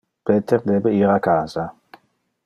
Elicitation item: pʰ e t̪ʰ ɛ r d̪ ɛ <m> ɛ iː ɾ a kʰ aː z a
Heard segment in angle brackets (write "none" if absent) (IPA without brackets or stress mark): b